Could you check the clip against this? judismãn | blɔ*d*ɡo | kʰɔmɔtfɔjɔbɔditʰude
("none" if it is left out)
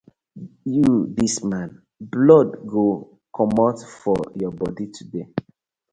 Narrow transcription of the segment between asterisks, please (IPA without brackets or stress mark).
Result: d